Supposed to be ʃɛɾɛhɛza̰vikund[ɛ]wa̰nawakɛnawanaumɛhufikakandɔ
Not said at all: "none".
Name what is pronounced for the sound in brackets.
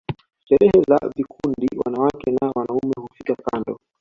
i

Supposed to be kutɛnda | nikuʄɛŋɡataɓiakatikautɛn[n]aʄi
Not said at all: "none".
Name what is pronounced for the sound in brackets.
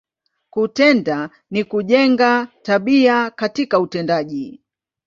d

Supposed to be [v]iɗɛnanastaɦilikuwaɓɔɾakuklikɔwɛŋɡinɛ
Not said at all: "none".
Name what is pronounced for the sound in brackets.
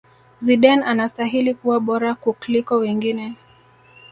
z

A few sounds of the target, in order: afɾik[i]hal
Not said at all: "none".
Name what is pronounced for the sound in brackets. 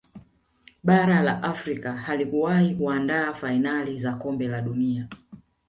a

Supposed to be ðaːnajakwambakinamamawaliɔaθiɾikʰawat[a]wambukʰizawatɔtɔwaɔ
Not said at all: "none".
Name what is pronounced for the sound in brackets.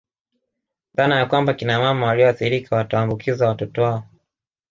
a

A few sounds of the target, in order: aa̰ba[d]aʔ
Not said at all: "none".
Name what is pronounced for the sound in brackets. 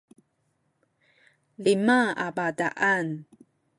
d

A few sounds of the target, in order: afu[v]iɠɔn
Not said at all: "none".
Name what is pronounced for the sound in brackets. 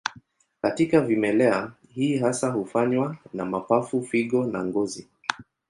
f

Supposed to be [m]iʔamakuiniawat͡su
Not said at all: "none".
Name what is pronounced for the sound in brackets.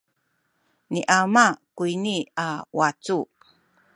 n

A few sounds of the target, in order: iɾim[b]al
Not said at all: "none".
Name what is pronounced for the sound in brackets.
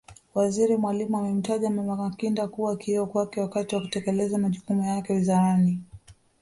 w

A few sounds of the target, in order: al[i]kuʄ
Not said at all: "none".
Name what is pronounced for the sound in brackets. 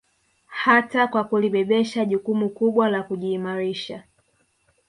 a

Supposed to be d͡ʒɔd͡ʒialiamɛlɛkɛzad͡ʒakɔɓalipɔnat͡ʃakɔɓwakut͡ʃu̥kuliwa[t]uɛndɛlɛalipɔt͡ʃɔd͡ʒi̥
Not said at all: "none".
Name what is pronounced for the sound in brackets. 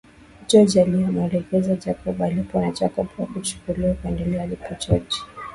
k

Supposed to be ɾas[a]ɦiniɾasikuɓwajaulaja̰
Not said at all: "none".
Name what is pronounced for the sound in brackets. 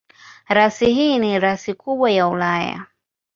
i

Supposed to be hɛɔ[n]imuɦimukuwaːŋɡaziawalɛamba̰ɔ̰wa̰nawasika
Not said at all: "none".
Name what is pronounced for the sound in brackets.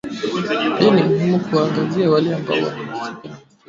n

